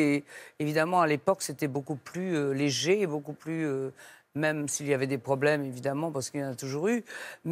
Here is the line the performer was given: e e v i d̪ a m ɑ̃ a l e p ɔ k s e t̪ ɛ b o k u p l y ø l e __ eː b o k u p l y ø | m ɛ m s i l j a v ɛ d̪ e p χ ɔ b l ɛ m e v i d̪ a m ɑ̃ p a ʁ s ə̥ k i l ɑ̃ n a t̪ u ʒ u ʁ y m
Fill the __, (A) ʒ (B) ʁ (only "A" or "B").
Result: A